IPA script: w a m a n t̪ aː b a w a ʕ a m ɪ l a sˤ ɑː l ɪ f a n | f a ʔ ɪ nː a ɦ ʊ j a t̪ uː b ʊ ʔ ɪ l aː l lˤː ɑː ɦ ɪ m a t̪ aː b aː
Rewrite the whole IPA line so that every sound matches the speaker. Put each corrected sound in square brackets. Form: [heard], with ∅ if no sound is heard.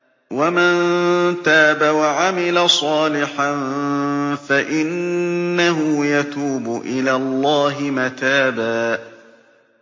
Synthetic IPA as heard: w a m a n t̪ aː b a w a ʕ a m ɪ l a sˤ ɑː l ɪ [ħ] a n | f a ʔ ɪ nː a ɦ ʊ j a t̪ uː b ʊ ʔ ɪ l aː l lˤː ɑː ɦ ɪ m a t̪ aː b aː